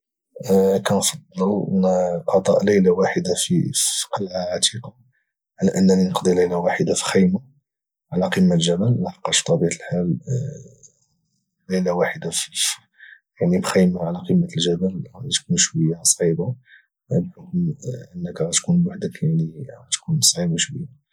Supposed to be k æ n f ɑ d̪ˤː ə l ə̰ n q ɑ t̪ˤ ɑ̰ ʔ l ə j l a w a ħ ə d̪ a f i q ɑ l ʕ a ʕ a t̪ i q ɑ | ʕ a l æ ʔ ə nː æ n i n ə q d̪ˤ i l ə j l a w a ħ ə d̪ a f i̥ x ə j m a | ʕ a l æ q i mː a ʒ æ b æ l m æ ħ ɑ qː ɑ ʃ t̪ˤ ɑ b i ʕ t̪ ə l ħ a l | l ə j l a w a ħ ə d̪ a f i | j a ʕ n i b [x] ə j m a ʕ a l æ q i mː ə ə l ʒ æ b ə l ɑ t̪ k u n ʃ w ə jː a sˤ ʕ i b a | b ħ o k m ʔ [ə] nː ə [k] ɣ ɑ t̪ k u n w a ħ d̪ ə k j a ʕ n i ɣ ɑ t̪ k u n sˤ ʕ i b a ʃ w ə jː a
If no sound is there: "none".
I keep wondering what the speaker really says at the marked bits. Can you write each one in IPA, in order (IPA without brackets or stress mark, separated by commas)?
x, ə, k